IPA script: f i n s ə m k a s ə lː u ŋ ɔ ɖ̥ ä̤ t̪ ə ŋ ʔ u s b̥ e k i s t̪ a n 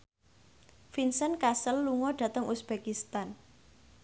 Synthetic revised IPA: f i n s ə n k a s ə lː u ŋ ɔ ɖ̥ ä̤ t̪ ə ŋ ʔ u s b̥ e k i s t̪ a n